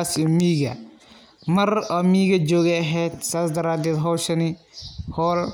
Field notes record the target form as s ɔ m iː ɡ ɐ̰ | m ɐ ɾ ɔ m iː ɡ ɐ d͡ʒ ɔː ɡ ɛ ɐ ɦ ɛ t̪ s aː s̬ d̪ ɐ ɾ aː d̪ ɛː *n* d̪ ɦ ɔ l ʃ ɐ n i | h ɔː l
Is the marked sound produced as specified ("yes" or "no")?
no